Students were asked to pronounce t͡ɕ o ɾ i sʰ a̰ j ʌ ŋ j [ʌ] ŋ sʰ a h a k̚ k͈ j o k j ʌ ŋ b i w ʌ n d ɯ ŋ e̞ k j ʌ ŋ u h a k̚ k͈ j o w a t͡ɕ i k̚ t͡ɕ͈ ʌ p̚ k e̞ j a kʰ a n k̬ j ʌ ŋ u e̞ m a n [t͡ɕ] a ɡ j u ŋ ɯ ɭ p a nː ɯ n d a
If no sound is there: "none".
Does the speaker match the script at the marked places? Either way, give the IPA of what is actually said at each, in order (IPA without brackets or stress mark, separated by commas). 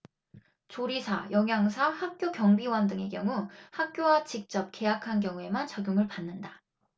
a, t͡ɕ